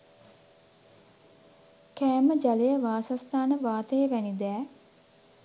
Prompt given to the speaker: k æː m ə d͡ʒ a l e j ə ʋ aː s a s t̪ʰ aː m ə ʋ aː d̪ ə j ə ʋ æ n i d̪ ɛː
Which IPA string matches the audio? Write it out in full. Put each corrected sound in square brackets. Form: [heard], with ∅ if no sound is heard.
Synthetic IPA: k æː m ə d͡ʒ a l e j ə ʋ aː s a s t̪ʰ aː [n] ə ʋ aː [t̪] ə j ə ʋ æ n i d̪ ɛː